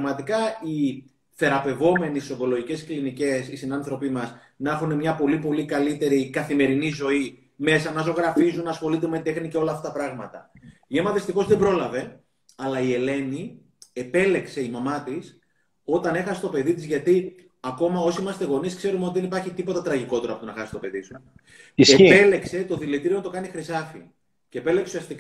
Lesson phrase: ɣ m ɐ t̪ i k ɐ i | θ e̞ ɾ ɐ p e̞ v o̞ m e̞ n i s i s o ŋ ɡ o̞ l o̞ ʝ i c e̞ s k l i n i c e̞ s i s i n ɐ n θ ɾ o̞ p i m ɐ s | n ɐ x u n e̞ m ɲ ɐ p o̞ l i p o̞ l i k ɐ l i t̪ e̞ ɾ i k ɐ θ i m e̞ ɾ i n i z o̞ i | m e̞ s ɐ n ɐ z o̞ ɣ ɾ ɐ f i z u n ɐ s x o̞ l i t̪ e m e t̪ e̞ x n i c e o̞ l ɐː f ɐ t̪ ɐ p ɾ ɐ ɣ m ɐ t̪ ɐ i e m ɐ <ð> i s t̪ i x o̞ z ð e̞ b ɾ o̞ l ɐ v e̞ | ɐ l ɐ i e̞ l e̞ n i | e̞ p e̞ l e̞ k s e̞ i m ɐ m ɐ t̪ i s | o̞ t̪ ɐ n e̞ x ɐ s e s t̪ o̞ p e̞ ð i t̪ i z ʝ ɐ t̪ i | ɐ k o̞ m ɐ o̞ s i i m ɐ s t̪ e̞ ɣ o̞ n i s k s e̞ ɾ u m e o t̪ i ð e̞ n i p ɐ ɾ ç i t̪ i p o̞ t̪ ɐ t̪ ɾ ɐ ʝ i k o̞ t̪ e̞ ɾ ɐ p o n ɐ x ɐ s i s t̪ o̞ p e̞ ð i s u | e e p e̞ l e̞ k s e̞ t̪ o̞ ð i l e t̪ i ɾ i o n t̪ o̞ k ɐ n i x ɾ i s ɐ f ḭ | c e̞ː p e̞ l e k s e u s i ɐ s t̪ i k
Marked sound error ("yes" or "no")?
no